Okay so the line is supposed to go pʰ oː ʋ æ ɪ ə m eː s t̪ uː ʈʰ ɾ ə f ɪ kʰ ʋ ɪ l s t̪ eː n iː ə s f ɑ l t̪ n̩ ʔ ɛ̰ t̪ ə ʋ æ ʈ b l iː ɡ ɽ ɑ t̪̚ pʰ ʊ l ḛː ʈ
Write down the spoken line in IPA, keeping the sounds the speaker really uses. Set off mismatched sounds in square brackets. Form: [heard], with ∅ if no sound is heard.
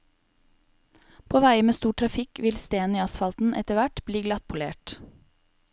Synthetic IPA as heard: pʰ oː ʋ æ ɪ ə m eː s t̪ uː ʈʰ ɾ [ɑ] f ɪ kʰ ʋ ɪ l s t̪ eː n iː [ɑ] s f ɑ l t̪ n̩ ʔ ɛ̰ t̪ ə ʋ æ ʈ b l iː ɡ [l] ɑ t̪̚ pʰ ʊ l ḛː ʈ